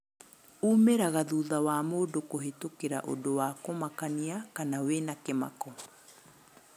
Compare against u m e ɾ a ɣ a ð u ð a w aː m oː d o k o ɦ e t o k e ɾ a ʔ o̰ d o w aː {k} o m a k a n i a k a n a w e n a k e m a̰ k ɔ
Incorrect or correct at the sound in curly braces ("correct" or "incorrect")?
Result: correct